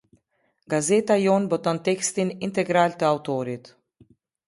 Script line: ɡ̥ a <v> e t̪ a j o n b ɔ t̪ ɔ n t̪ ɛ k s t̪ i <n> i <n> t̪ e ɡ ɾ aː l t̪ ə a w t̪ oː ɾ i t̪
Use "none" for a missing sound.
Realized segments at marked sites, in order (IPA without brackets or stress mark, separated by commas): z, n, n